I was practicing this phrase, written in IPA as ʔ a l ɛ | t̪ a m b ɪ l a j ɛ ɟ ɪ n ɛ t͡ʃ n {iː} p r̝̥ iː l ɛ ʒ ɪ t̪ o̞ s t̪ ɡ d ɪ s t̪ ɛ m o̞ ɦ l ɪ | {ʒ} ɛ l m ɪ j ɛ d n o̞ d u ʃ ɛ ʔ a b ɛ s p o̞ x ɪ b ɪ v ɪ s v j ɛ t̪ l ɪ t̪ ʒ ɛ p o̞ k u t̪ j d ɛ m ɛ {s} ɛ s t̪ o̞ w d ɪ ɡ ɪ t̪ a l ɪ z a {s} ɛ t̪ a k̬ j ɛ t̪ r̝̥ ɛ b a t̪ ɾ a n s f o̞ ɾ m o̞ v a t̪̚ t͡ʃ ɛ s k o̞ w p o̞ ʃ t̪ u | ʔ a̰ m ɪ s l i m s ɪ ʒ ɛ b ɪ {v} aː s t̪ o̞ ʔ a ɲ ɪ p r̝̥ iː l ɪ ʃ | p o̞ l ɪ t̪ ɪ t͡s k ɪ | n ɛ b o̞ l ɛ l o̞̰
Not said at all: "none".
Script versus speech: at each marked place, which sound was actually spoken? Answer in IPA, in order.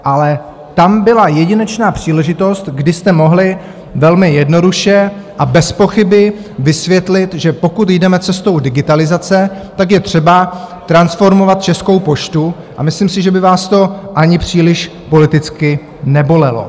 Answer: aː, v, t͡s, t͡s, v

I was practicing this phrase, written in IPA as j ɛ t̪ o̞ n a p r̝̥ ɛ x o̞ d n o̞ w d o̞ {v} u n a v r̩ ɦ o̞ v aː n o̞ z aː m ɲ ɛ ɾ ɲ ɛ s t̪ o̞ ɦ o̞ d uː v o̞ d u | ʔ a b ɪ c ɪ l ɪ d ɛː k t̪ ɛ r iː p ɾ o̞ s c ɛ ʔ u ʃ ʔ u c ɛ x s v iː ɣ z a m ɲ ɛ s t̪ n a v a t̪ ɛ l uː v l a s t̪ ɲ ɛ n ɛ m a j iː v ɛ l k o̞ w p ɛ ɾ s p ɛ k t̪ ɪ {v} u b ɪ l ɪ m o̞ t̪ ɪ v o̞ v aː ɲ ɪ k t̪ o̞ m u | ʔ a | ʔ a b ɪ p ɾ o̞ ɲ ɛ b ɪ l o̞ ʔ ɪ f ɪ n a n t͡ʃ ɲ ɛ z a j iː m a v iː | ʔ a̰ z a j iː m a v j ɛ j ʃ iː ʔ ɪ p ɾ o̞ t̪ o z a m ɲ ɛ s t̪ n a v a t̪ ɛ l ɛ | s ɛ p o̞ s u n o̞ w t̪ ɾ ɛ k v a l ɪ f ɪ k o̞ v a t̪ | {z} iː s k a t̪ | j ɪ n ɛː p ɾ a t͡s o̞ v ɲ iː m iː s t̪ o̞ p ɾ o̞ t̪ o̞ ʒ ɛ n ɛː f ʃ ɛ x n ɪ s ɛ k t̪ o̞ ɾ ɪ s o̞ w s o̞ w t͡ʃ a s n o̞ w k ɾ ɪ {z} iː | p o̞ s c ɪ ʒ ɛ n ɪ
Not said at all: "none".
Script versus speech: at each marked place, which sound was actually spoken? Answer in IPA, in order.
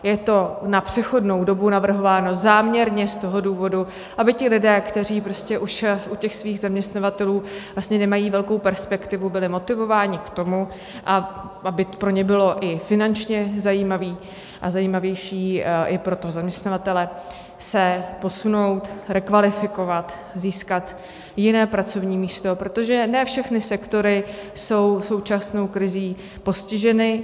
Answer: b, v, z, z

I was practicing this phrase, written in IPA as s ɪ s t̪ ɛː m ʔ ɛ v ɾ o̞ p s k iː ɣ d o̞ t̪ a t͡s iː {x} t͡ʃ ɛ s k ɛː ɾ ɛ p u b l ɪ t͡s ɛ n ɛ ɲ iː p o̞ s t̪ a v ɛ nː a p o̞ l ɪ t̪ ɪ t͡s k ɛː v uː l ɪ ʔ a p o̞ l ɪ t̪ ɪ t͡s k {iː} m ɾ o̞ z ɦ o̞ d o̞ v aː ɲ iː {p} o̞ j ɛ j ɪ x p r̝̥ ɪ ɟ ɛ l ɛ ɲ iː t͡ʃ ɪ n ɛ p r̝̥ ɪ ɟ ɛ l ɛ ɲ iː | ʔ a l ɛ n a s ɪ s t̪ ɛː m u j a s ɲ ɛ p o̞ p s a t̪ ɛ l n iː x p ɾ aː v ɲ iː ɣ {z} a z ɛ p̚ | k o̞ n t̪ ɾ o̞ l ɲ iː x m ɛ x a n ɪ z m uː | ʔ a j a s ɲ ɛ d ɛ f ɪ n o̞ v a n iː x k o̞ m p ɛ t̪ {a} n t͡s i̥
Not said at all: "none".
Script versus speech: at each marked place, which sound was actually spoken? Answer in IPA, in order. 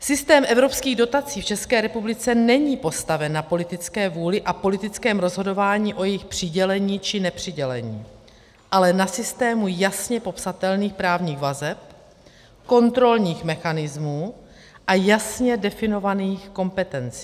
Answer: f, ɛː, ʔ, v, ɛ

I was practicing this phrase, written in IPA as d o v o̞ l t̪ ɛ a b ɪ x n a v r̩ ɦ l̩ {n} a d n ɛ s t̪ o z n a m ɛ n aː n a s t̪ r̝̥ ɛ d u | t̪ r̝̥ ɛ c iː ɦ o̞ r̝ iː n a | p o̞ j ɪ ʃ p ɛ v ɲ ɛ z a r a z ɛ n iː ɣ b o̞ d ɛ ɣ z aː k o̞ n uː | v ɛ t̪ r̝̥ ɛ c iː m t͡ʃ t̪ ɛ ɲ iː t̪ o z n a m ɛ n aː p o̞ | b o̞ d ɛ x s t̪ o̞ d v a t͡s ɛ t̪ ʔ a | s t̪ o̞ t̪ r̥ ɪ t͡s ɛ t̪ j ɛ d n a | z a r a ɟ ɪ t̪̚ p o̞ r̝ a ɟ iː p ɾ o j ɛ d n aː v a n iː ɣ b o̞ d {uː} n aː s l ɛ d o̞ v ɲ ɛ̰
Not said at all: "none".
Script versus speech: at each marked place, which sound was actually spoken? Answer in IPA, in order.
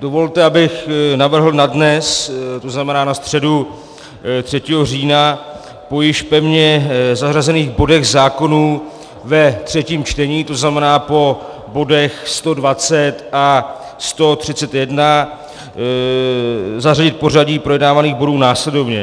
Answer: n, uː

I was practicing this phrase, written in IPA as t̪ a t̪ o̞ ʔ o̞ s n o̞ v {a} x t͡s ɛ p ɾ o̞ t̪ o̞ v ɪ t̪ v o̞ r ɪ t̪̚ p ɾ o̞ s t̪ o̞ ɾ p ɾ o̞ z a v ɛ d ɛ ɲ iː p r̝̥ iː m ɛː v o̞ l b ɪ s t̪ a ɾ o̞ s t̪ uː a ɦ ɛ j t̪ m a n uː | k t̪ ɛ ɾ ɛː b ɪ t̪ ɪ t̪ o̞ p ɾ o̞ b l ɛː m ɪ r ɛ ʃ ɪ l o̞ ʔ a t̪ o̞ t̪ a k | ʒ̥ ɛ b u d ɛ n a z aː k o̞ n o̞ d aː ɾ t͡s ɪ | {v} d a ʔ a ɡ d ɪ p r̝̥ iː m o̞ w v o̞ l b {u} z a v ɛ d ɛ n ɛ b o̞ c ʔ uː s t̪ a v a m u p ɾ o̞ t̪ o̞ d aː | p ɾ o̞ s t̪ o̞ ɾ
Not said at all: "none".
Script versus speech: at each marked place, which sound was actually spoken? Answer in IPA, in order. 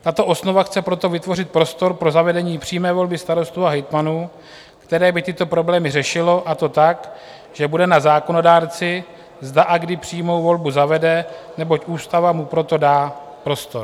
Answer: a, z, u

